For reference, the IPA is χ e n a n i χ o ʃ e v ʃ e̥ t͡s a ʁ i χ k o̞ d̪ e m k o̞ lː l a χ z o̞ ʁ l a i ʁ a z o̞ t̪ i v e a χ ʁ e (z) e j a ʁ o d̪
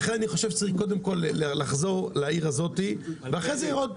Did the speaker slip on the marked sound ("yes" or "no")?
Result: no